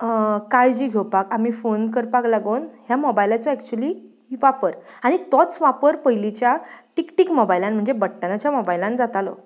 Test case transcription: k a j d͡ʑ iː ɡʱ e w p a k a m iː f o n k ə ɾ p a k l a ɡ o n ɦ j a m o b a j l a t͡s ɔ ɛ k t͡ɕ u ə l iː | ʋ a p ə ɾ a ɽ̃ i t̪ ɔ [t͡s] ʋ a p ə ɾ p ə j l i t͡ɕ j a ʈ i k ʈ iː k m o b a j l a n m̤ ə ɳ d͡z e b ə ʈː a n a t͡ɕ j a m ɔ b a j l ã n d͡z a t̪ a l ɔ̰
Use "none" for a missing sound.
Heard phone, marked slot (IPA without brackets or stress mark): t͡s